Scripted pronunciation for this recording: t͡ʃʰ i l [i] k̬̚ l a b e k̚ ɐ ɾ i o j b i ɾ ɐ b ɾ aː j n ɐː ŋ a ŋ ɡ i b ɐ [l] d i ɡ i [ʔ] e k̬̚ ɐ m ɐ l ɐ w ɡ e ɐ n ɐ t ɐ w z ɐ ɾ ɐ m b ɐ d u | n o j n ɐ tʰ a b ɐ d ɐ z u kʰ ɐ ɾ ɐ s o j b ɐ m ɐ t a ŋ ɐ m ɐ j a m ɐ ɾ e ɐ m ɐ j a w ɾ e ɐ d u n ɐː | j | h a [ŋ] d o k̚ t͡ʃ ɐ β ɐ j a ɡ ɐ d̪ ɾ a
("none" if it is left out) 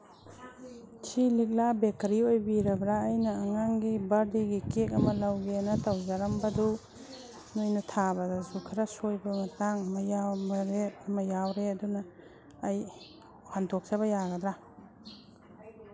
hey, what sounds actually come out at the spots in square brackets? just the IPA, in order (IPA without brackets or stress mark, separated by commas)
i, ɾ, k, n